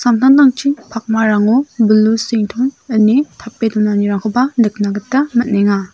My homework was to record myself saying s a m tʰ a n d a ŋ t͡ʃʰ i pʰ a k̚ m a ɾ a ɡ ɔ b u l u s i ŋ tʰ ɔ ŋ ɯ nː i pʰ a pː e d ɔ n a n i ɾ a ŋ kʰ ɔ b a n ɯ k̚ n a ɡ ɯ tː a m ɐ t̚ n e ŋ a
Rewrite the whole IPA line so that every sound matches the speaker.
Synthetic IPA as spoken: s a m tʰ a n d a ŋ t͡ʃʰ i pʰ a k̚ m a ɾ a ŋ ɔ b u l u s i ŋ tʰ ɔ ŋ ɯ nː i tʰ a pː e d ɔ n a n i ɾ a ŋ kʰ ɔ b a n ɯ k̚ n a ɡ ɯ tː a m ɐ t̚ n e ŋ a